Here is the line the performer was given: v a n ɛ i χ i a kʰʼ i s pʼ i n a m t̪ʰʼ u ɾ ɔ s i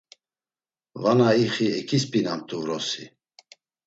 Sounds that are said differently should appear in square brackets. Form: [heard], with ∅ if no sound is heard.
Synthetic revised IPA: v a n [a] i χ i [ɛ] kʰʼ i s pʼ i n a m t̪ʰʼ u ɾ ɔ s i